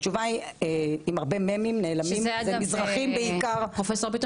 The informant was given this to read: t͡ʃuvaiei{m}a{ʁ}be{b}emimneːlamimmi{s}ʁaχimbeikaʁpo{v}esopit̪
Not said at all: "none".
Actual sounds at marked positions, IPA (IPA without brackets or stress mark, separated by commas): m, ʁ, m, z, f